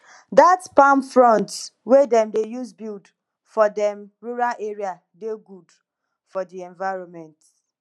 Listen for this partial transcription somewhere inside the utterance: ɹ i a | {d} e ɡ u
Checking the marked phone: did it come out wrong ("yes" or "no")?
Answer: no